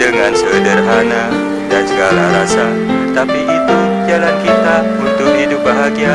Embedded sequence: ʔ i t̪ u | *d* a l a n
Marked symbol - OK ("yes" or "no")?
no